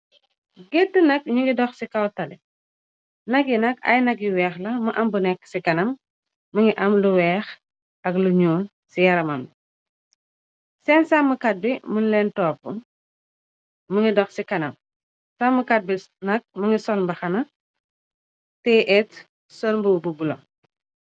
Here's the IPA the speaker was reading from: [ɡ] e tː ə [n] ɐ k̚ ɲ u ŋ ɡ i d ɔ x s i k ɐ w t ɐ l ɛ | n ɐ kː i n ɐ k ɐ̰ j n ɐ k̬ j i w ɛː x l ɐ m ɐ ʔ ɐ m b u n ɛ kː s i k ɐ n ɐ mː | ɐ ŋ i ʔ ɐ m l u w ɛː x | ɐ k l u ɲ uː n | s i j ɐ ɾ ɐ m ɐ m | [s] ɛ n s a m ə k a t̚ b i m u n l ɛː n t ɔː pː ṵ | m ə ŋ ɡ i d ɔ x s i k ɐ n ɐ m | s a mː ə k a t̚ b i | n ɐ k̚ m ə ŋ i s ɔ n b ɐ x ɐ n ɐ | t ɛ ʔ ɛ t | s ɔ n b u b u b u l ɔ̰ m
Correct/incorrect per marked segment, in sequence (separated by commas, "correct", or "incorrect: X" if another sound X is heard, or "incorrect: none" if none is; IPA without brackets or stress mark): correct, correct, correct